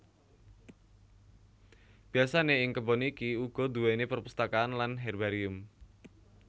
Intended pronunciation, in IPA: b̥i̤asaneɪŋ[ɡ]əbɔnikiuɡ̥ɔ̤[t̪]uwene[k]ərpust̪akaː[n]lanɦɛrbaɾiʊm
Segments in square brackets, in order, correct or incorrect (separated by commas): incorrect, incorrect, incorrect, correct